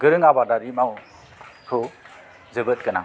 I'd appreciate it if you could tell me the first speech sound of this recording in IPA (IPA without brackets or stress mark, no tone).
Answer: ɡ